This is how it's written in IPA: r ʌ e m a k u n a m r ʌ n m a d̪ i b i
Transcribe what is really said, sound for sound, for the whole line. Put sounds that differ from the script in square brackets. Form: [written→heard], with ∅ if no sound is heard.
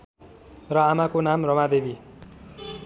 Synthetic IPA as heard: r ʌ [e→a] m a k [u→o] n a m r ʌ [n→∅] m a d̪ [i→e] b i